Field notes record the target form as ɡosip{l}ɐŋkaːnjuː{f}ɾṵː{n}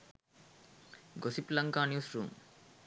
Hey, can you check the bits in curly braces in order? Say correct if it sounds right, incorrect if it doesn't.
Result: correct, incorrect: s, incorrect: m

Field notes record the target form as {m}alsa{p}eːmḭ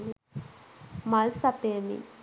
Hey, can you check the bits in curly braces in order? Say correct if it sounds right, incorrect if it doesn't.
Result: correct, correct

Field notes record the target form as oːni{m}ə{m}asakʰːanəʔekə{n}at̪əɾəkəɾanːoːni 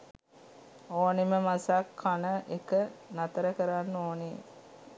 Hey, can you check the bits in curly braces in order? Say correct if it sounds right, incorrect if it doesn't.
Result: correct, correct, correct

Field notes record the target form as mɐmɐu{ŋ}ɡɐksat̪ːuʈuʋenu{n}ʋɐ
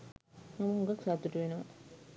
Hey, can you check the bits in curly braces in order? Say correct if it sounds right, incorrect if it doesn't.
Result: correct, incorrect: none

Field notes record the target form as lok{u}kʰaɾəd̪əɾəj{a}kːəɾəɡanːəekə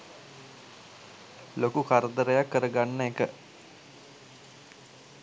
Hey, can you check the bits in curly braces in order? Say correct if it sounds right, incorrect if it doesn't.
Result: correct, correct

